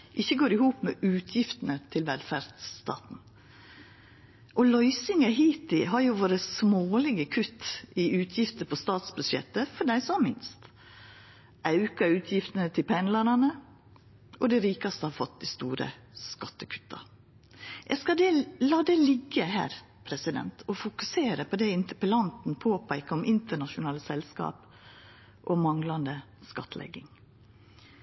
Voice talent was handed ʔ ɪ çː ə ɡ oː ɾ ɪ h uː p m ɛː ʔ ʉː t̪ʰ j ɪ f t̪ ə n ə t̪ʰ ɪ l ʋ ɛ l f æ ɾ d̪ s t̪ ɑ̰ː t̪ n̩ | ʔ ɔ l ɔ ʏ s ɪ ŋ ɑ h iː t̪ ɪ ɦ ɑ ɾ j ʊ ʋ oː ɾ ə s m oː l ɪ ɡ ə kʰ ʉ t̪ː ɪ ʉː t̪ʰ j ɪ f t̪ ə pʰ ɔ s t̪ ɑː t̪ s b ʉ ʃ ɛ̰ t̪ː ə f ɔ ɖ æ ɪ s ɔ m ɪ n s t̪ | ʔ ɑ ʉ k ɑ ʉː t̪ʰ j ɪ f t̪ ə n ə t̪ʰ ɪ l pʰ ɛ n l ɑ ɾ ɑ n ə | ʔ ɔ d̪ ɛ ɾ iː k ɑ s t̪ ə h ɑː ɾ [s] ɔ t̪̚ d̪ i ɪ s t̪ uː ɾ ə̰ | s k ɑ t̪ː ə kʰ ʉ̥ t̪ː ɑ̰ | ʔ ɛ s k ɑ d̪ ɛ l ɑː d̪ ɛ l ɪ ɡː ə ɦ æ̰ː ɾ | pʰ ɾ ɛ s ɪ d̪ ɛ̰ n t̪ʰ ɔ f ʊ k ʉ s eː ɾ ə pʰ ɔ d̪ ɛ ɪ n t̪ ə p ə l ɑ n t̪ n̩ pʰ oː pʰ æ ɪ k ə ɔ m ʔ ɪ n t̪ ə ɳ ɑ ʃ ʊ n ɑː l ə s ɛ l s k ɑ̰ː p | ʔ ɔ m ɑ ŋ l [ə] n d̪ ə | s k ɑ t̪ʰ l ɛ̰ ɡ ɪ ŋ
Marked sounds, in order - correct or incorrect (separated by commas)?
incorrect, incorrect